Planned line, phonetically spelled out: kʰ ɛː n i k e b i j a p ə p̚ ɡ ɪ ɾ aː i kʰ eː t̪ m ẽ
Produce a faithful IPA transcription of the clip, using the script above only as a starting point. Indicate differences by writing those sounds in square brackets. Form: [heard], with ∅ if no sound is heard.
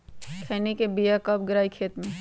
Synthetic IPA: kʰ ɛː n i k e b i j a [k] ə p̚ ɡ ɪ ɾ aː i kʰ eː t̪ m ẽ

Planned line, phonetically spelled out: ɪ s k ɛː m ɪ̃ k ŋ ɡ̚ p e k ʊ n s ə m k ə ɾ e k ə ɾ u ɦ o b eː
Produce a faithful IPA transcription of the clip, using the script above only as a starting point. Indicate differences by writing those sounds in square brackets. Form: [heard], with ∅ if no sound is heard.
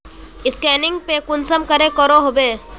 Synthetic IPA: ɪ s k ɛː [n] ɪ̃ [∅] ŋ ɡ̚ p e k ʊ n s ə m k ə ɾ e k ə ɾ [o] ɦ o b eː

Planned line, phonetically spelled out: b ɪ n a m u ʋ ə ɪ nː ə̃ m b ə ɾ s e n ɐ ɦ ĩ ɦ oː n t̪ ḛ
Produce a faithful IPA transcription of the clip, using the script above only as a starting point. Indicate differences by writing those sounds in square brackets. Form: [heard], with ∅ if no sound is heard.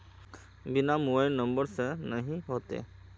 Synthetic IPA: b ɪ n a m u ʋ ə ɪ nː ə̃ m b ə ɾ s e n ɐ ɦ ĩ ɦ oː [∅] t̪ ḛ

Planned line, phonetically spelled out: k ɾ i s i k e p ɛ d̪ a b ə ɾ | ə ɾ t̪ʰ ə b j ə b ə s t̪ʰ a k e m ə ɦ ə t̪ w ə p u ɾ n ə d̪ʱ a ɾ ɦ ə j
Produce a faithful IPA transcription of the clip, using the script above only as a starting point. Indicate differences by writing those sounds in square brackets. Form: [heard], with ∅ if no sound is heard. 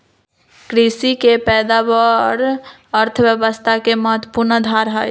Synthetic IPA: k ɾ i s i k e p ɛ d̪ a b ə ɾ | ə ɾ t̪ʰ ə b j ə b ə s t̪ʰ a k e m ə ɦ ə t̪ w ə p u ɾ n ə d̪ʱ a ɾ ɦ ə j

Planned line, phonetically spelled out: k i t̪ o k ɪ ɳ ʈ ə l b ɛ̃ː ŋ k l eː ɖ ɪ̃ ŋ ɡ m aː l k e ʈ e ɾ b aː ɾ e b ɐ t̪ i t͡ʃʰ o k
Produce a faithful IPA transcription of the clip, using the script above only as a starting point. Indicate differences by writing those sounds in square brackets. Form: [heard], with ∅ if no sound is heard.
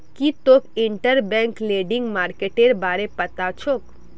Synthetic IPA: k i t̪ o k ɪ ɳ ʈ ə [ɾ] b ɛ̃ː ŋ k l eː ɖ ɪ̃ ŋ ɡ m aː [ɾ] k e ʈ e ɾ b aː ɾ e [p] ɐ t̪ [a] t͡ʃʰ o k

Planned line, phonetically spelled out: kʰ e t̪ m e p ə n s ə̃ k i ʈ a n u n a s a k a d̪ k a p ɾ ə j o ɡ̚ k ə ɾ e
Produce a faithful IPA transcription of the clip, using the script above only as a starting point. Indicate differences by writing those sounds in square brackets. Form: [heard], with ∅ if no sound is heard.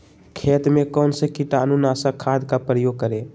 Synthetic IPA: kʰ e t̪ m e [k] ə n s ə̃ k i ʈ a n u n a s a [kʰ] a d̪ k a p ɾ ə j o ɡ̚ k ə ɾ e

